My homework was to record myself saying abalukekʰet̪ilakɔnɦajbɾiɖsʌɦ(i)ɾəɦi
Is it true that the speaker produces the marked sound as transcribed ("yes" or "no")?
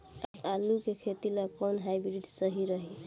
yes